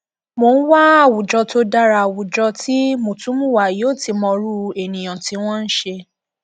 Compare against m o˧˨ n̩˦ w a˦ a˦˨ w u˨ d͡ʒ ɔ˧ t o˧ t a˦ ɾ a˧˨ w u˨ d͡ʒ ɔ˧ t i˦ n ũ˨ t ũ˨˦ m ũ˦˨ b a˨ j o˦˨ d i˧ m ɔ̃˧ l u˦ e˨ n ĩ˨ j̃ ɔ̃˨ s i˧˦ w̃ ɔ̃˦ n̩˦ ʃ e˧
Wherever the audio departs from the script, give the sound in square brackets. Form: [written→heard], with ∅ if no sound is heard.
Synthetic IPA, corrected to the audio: m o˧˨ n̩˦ w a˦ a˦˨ w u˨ d͡ʒ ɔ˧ t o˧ [t→d] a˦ ɾ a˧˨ w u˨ d͡ʒ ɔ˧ t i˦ [n→m] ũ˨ t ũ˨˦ m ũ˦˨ [b→w] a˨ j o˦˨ [d→t] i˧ m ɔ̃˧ [l→ɾ] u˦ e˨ n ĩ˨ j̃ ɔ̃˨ [s→t] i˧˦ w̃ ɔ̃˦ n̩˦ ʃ e˧